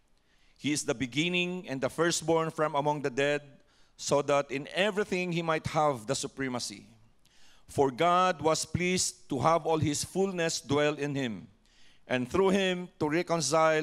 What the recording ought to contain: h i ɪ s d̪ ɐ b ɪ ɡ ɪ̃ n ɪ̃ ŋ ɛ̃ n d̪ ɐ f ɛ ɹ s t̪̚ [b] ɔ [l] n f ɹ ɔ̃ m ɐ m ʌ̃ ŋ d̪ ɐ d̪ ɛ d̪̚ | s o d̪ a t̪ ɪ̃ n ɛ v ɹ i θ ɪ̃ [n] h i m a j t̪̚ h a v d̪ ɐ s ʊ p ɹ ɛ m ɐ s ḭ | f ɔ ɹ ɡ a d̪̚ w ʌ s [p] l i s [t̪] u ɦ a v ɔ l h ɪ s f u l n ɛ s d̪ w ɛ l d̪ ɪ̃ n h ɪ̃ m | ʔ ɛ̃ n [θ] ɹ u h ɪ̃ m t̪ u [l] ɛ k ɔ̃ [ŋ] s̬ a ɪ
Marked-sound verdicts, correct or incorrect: correct, incorrect, incorrect, correct, correct, correct, incorrect, incorrect

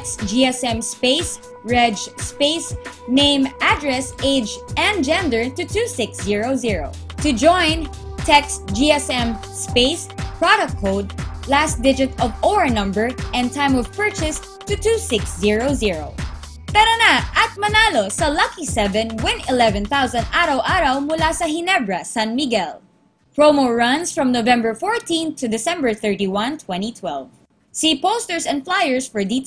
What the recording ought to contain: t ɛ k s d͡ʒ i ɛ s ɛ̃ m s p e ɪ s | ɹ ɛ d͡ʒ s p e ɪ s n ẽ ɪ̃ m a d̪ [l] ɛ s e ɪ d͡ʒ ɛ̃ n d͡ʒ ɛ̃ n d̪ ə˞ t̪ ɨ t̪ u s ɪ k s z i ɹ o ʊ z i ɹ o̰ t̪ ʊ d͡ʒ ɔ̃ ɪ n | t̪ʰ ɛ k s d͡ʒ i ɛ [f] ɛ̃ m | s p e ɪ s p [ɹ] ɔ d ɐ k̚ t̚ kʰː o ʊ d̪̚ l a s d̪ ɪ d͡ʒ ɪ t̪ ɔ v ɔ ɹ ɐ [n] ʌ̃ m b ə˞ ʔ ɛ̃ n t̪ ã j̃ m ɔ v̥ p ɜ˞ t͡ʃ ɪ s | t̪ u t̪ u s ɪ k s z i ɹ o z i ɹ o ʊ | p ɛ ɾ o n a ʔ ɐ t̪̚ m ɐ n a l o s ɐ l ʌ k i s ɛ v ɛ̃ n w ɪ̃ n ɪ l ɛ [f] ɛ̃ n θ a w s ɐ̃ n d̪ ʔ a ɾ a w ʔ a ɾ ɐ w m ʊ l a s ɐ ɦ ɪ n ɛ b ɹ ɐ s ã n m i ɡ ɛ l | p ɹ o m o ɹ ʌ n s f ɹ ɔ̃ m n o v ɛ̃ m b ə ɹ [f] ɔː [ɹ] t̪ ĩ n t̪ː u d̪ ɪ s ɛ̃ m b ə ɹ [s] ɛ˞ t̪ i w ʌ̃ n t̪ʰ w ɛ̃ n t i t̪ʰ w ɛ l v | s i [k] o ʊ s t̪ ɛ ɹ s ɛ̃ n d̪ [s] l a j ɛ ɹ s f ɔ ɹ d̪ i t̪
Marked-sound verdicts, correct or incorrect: incorrect, incorrect, correct, correct, incorrect, correct, correct, incorrect, incorrect, incorrect

